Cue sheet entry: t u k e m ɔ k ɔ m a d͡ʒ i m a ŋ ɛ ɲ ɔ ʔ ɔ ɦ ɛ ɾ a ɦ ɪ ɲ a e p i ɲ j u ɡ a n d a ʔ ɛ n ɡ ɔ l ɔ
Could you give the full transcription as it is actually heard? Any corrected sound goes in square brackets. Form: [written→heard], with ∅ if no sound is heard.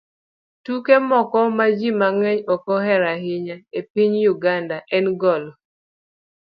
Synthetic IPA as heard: t u k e m ɔ k ɔ m a d͡ʒ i m a ŋ ɛ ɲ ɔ [ʔ→k] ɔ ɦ ɛ ɾ a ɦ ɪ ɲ a e p i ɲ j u ɡ a n d a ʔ ɛ n ɡ ɔ l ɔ